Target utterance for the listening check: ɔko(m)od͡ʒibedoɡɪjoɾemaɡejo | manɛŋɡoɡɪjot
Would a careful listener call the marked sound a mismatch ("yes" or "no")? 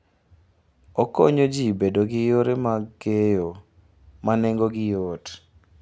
yes